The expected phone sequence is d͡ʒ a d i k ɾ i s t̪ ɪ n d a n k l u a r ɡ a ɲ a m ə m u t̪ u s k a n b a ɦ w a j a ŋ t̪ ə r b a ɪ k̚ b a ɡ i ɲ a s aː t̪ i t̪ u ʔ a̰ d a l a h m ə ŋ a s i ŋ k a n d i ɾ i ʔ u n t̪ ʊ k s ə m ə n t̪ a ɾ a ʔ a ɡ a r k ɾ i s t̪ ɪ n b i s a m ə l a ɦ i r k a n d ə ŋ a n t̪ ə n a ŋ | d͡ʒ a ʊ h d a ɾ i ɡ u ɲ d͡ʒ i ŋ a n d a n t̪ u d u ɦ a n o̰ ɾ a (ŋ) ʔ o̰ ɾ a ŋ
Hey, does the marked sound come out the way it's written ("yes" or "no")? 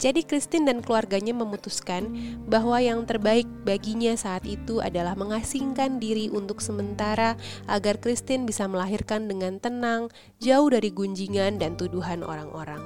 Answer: yes